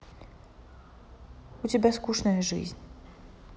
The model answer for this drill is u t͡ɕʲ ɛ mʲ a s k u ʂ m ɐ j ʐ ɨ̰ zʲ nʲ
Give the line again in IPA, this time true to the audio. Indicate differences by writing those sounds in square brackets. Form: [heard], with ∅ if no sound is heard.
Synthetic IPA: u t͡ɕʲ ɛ [bʲ] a s k u ʂ [n] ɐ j ʐ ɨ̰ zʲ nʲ